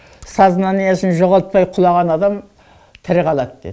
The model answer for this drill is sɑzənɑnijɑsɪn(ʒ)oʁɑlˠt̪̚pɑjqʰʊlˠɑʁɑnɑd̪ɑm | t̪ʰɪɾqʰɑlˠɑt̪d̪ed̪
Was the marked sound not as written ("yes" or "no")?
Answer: no